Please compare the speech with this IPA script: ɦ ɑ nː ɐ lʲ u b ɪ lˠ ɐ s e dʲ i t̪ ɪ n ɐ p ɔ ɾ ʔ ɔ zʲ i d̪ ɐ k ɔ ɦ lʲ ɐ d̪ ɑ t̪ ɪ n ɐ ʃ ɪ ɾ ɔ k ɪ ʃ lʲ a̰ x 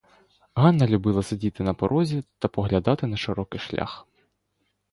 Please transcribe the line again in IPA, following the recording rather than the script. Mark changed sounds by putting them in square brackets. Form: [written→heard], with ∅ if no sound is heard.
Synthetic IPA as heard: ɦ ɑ nː ɐ lʲ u b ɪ lˠ ɐ s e dʲ i t̪ ɪ n ɐ p ɔ ɾ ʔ ɔ zʲ i [d̪→t̪] ɐ [k→p] ɔ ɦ lʲ ɐ d̪ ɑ t̪ ɪ n ɐ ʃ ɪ ɾ ɔ k ɪ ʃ lʲ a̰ x